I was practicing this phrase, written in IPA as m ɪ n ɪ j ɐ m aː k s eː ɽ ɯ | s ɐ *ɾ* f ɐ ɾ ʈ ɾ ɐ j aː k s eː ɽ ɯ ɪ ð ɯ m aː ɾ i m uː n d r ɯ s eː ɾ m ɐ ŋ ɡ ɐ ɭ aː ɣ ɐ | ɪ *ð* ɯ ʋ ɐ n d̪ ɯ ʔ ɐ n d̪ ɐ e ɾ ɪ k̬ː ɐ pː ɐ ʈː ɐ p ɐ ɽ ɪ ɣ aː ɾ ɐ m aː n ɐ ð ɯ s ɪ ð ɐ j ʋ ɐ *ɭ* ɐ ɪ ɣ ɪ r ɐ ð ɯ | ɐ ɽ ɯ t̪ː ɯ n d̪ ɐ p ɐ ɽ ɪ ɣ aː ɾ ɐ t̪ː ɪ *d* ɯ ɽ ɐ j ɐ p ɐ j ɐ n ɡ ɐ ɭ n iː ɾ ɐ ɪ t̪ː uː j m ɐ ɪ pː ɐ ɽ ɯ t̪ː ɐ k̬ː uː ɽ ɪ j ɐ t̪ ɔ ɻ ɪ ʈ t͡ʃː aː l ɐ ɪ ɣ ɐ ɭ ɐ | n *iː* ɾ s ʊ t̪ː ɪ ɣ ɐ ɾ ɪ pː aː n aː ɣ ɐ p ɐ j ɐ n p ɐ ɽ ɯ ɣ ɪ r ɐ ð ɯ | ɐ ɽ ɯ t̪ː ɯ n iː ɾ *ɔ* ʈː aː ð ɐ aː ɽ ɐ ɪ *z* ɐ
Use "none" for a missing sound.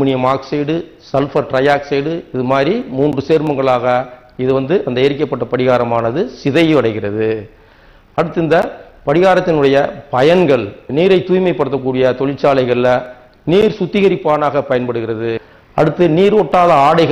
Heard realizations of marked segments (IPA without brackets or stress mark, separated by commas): l, ð, ɽ, n, iː, ɔ, ɣ